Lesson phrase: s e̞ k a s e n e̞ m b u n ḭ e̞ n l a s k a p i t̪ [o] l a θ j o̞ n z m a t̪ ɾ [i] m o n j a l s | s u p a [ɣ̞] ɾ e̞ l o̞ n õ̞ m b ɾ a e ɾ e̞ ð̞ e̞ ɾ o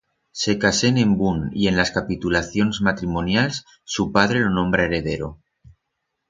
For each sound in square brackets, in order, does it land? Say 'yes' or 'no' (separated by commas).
no, yes, no